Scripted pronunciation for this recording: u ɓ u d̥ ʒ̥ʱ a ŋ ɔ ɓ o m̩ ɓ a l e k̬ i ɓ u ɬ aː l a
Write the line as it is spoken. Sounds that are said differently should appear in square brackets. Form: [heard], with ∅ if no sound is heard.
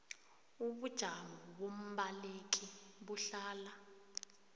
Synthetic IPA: u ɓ u d̥ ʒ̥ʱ a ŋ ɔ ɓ o m̩ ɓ a l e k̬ i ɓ u ɬ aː l a